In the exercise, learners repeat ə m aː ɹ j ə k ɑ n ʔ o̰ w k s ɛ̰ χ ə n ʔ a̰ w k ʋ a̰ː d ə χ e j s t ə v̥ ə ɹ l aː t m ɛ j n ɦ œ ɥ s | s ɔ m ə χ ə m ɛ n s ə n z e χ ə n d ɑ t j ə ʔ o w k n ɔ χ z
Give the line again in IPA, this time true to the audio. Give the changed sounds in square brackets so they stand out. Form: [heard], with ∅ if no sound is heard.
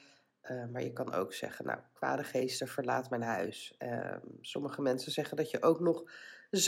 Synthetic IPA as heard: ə m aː ɹ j ə k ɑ n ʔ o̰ w k s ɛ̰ χ ə n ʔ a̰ w k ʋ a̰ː d ə χ e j s t ə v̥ ə ɹ l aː t m ɛ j n ɦ œ ɥ s | s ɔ m ə χ ə m ɛ n s ə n z [ɛ] χ ə n d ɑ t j ə ʔ o w k n ɔ χ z